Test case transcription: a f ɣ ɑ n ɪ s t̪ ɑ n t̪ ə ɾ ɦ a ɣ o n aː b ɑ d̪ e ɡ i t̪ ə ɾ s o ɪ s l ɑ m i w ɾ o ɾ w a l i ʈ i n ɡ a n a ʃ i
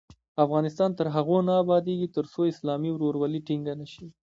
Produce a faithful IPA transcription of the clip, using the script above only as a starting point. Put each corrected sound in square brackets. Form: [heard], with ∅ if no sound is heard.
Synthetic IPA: a f ɣ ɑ n ɪ s t̪ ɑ n t̪ ə ɾ ɦ a ɣ o n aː b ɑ d̪ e ɡ i t̪ ə ɾ s o ɪ s l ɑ m i w ɾ o ɾ w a l i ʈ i [ŋ] ɡ a n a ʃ i